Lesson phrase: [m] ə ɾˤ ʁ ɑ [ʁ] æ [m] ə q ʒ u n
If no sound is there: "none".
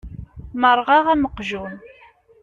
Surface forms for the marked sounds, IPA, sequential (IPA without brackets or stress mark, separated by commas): m, ʁ, m